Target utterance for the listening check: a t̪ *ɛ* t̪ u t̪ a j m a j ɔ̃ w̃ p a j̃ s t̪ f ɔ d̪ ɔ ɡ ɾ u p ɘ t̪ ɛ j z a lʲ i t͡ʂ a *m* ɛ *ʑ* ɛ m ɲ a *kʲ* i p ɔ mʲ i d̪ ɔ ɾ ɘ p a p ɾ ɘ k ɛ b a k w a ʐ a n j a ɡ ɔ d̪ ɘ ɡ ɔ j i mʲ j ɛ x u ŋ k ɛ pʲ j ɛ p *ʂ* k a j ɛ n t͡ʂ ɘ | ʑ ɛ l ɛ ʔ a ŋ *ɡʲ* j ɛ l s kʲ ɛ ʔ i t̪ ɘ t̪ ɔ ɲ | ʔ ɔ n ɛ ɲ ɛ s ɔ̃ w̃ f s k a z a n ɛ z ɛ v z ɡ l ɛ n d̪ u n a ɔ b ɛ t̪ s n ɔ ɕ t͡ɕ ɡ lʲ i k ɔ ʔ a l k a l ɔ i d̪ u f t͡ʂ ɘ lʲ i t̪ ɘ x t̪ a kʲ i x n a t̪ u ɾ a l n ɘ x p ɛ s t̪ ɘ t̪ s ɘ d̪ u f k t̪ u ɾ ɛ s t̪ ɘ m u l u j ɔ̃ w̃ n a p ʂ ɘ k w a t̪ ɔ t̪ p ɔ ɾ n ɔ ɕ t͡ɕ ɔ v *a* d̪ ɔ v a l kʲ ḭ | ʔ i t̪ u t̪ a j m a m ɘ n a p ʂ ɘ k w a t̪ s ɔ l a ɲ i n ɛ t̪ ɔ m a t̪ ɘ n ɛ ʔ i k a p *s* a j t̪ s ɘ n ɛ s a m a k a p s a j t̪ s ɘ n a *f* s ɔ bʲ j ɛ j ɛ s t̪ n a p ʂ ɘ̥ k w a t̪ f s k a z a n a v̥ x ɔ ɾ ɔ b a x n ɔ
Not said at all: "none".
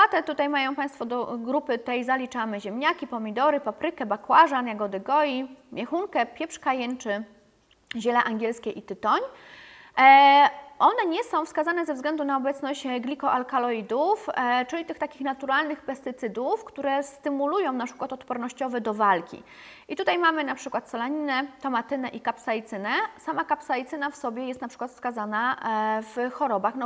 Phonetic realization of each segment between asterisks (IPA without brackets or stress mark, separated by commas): ɛ, m, ʑ, kʲ, ʂ, ɡʲ, ɛ, s, f